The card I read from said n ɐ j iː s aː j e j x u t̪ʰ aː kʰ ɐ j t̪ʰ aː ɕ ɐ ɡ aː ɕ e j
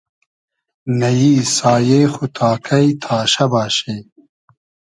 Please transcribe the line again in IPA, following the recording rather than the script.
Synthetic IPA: n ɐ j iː s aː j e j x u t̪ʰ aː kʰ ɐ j t̪ʰ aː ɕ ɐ b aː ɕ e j